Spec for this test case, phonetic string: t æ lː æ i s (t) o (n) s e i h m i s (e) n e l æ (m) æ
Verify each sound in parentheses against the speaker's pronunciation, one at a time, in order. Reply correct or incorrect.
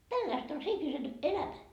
correct, correct, correct, correct

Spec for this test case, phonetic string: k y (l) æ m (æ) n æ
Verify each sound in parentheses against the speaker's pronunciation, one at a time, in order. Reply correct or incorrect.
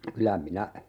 correct, incorrect: i

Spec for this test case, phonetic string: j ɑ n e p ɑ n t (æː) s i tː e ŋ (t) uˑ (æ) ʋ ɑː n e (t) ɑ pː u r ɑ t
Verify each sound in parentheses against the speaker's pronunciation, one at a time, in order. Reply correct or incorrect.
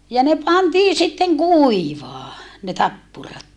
incorrect: iː, incorrect: k, incorrect: i, correct

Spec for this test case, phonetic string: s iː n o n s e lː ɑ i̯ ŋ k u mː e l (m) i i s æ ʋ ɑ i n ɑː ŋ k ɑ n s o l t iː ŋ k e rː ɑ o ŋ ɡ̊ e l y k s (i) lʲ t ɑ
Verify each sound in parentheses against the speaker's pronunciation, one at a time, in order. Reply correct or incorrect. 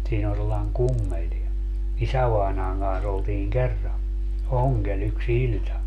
incorrect: n, correct

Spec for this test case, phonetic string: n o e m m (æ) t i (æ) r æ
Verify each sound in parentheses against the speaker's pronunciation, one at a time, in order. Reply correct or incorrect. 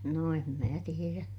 incorrect: æː, incorrect: e

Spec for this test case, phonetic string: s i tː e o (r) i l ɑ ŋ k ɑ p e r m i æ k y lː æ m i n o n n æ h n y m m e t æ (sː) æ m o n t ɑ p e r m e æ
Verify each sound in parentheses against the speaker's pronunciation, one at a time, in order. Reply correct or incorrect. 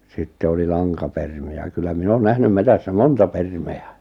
incorrect: l, correct

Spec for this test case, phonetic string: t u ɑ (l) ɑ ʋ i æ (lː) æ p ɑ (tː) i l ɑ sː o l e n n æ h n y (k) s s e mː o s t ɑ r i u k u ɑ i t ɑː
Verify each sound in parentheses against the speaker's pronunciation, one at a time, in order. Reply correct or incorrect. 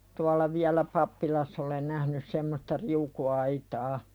incorrect: lː, incorrect: l, incorrect: pː, incorrect: none

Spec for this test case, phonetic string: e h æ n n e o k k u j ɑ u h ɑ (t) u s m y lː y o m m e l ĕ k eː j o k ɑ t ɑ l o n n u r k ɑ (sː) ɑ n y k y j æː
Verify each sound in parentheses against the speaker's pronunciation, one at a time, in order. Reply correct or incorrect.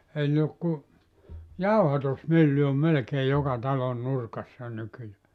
correct, correct

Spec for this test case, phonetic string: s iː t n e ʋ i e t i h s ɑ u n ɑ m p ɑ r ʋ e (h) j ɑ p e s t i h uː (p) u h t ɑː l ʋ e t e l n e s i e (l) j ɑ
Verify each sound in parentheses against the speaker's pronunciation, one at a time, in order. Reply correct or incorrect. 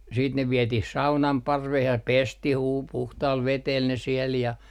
correct, correct, correct

